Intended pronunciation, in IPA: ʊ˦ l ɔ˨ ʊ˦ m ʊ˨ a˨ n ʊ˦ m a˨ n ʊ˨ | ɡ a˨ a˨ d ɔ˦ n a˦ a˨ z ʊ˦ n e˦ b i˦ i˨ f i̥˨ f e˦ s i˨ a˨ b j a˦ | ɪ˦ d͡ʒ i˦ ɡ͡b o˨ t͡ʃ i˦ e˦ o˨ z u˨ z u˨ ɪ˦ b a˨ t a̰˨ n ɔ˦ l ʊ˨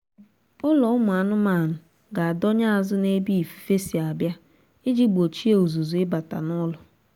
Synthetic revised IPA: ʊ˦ l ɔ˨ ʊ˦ m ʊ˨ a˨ n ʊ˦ m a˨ n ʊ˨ | ɡ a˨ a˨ d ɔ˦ ɲ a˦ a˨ z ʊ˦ n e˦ b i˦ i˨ f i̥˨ f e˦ s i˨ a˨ b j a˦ | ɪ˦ d͡ʒ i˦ ɡ͡b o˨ t͡ʃ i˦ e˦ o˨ z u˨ z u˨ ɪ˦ b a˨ t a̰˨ n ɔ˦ l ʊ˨